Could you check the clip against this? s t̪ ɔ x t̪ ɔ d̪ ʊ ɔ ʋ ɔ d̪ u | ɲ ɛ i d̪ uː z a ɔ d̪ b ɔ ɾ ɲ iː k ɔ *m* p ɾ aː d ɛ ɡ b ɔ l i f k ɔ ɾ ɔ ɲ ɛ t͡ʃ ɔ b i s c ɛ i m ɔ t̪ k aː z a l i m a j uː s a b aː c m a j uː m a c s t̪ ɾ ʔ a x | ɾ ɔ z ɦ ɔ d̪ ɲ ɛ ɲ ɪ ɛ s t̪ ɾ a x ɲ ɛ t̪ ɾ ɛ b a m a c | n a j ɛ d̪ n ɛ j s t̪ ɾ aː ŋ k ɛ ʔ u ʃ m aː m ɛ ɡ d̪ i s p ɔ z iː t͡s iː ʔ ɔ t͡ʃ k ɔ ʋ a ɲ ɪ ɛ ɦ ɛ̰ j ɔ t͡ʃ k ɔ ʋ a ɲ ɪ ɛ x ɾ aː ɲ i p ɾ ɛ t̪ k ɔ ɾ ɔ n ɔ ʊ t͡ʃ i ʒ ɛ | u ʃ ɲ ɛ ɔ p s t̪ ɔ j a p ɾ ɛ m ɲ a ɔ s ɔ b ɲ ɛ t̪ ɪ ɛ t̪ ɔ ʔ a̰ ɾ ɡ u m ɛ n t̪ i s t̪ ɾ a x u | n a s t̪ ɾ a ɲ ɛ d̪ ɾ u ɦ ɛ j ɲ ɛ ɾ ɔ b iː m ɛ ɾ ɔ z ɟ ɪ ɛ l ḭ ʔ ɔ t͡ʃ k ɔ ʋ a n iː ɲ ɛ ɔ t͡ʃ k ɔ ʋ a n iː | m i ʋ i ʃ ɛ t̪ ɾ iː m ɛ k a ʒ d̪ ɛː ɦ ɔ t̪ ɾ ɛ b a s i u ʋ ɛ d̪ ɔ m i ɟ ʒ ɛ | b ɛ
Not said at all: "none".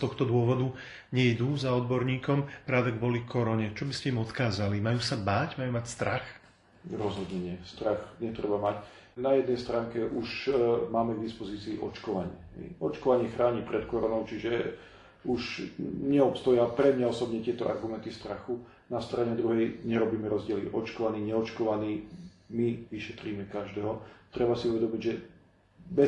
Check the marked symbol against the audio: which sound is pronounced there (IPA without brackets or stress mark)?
m